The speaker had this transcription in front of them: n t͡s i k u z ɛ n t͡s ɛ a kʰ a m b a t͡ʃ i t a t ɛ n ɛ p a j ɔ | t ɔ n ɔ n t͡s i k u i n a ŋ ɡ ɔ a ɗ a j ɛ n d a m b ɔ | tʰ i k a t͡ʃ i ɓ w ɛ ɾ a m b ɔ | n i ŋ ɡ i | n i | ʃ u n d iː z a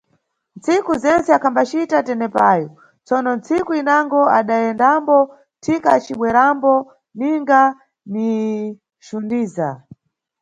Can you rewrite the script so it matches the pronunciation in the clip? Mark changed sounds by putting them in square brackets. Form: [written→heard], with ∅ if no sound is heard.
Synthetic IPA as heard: n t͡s i k u z ɛ n t͡s ɛ a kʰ a m b a t͡ʃ i t a t ɛ n ɛ p a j ɔ | [t→t͡s] ɔ n ɔ n t͡s i k u i n a ŋ ɡ ɔ a ɗ a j ɛ n d a m b ɔ | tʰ i k a t͡ʃ i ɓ w ɛ ɾ a m b ɔ | n i ŋ ɡ [i→a] | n i | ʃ u n d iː z a